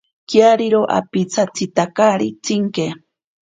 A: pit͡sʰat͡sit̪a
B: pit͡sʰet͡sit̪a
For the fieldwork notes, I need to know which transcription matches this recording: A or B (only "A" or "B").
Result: A